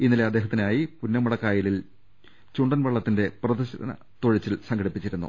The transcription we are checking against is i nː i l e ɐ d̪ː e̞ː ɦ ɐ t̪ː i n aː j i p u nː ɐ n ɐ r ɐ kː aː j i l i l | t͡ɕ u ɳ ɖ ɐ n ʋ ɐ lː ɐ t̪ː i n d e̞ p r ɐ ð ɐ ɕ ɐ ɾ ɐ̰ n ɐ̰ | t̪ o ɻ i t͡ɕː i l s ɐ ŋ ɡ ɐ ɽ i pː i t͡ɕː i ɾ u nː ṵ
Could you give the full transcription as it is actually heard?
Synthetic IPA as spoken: i nː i l e ɐ d̪ː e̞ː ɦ ɐ t̪ː i n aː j i p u nː ɐ m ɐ ɽ ɐ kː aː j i l i l | t͡ɕ u ɳ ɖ ɐ n ʋ ɐ ɭː ɐ t̪ː i n d e̞ p r ɐ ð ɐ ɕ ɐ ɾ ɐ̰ n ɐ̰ | t̪ o ɻ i t͡ɕː i l s ɐ ŋ ɡ ɐ ɽ i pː i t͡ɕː i ɾ u nː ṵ